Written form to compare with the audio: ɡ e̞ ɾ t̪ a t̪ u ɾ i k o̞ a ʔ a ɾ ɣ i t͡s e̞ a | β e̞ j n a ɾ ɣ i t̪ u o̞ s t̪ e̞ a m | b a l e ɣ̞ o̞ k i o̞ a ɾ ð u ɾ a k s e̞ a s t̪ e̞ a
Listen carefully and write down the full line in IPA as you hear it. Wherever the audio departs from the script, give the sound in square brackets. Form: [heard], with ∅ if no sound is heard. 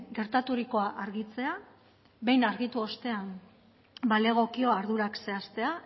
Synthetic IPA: ɡ e̞ ɾ t̪ a t̪ u ɾ i k o̞ a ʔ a ɾ ɣ i t͡s e̞ a | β e̞ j n a ɾ ɣ i t̪ u o̞ s t̪ e̞ a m | b a l e ɣ̞ o̞ k i o̞ a ɾ ð u ɾ a k s e̞ a s t̪ e̞ a